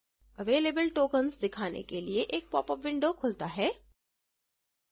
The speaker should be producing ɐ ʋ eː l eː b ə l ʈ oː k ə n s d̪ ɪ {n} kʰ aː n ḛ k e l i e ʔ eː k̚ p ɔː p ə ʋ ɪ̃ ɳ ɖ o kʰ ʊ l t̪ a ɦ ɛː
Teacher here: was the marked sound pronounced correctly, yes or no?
no